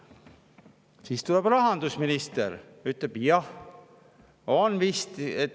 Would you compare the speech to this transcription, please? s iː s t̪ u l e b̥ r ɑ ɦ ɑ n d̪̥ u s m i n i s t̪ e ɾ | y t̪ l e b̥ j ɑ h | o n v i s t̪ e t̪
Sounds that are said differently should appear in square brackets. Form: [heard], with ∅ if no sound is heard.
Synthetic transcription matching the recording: s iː s t̪ u l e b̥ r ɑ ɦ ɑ n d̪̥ u s m i n i s t̪ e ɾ | y t̪ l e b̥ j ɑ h | o n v i s t̪ e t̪